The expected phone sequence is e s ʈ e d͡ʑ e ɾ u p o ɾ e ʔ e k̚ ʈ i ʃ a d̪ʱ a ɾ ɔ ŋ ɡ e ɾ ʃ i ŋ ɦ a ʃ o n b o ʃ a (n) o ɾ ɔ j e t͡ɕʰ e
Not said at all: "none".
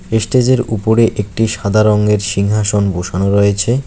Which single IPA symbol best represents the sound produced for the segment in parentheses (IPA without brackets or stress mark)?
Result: n